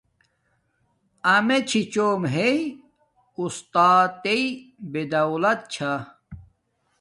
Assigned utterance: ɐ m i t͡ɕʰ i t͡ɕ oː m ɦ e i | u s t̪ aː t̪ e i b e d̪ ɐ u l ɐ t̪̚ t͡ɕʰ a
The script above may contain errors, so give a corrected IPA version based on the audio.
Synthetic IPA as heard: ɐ m e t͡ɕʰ i t͡ɕ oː m ɦ e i | u s t̪ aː t̪ e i b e d̪ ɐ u l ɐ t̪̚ t͡ɕʰ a